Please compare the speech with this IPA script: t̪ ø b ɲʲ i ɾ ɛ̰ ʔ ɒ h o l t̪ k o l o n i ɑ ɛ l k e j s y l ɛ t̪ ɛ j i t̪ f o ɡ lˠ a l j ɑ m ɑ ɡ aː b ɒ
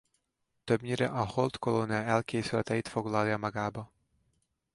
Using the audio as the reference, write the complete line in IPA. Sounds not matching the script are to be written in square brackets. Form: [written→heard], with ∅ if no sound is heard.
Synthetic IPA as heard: t̪ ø b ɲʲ i ɾ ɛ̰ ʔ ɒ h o l t̪ k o l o n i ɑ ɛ l k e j s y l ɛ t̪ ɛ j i t̪ f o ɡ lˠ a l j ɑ m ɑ ɡ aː b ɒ